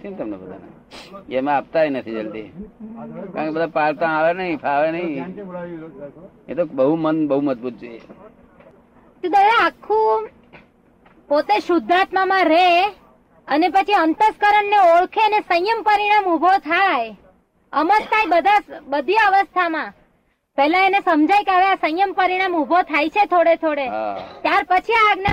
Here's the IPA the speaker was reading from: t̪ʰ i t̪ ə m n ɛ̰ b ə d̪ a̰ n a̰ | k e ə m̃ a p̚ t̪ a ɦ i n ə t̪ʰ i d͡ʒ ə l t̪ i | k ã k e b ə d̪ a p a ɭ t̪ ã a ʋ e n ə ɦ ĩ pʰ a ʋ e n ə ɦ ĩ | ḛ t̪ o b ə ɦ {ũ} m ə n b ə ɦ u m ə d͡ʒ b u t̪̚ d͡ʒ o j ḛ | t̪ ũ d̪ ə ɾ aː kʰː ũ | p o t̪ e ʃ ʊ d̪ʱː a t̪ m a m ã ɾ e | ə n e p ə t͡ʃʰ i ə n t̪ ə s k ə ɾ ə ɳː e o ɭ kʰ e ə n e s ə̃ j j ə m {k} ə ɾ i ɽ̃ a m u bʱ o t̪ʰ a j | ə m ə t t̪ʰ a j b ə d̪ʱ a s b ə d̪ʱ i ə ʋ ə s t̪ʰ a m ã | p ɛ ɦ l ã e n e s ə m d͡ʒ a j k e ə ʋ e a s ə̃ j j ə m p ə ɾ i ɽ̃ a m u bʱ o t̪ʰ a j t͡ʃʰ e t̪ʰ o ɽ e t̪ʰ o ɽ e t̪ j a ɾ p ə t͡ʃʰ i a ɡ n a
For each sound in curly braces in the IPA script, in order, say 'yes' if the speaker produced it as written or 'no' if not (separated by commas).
no, no